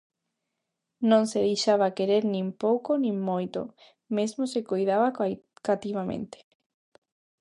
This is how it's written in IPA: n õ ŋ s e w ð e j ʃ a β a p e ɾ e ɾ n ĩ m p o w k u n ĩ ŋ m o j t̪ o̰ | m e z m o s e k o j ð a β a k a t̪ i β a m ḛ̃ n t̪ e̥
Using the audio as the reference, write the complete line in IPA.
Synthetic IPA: n õ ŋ s e ð e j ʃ a β a k e ɾ e ɾ n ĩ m p o w k o n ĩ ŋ m o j t̪ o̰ | m e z m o s e k o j ð a β a k a t̪ i β a m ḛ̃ n t̪ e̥